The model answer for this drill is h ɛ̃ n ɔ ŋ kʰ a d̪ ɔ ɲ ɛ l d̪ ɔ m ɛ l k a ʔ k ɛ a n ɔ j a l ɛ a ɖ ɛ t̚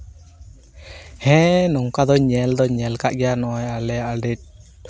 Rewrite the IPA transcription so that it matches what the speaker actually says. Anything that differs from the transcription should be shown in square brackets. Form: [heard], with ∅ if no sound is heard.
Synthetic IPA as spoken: h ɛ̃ n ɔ ŋ [k] a d̪ ɔ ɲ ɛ l d̪ ɔ [ɲ] ɛ l k a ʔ [ɡ] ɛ a n ɔ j a l ɛ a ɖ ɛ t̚